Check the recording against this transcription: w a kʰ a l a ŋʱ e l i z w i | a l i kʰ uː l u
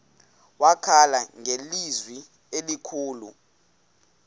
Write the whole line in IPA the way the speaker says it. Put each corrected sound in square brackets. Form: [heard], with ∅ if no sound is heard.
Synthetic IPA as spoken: w a kʰ a l a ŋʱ e l i z w i | [e] l i kʰ uː l u